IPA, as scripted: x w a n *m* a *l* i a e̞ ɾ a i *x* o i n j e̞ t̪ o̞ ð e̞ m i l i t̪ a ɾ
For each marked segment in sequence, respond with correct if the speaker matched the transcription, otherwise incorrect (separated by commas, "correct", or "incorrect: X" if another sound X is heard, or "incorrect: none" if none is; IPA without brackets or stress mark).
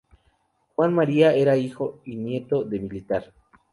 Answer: correct, incorrect: ɾ, correct